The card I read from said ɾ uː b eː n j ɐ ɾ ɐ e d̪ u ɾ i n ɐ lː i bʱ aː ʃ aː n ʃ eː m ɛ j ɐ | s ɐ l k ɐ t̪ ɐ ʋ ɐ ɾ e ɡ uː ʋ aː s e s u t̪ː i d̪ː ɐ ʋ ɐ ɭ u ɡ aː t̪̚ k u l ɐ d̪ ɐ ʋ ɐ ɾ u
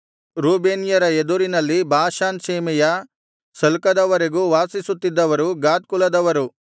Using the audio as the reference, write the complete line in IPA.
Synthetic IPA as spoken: ɾ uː b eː n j ɐ ɾ ɐ e d̪ u ɾ i n ɐ lː i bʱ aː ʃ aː n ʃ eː m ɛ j ɐ | s ɐ l k ɐ d̪ ɐ ʋ ɐ ɾ e ɡ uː ʋ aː s i s u t̪ː i d̪ː ɐ ʋ ɐ ɾ u ɡ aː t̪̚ k u l ɐ d̪ ɐ ʋ ɐ ɾ u